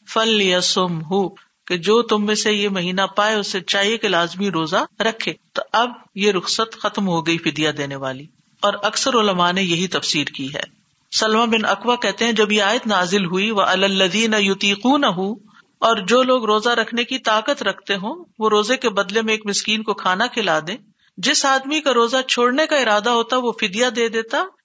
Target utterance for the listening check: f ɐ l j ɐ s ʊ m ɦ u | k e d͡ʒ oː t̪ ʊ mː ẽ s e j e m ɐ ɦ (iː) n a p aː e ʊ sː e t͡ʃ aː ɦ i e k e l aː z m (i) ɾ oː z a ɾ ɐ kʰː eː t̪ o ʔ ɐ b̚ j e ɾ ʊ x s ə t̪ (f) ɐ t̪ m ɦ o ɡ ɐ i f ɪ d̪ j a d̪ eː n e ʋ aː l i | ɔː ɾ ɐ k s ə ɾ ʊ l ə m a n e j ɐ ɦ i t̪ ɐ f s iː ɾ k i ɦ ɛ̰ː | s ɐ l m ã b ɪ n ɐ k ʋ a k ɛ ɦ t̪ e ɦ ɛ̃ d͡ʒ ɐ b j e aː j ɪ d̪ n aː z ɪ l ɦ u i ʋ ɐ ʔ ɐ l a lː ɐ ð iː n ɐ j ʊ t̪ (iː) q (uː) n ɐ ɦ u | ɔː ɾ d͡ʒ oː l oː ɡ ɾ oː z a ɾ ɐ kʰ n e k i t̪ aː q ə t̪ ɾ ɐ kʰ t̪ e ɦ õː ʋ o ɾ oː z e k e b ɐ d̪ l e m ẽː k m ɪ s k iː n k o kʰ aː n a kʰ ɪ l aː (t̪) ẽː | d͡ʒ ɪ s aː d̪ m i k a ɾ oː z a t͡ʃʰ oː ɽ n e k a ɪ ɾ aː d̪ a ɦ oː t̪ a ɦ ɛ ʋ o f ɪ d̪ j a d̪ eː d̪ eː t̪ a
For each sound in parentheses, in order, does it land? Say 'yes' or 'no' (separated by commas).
yes, yes, no, yes, yes, no